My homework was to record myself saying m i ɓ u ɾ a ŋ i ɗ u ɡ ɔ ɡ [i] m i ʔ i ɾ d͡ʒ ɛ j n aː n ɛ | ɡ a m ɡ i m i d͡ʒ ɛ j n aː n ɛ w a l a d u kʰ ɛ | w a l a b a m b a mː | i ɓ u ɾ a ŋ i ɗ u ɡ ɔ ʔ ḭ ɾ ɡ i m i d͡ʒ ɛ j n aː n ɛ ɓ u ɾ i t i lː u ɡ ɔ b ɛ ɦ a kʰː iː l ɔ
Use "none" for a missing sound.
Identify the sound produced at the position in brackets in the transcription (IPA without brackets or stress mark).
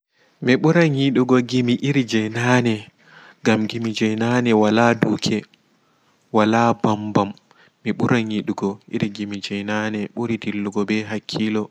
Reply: i